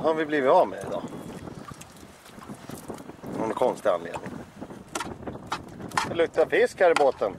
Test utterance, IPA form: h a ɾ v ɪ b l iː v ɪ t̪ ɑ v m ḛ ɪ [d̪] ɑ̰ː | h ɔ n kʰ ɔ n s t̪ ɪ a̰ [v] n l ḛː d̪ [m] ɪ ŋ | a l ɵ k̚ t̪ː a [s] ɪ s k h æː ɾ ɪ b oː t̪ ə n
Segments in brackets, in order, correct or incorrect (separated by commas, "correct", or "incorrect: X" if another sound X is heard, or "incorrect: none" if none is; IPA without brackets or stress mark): correct, incorrect: none, incorrect: n, incorrect: f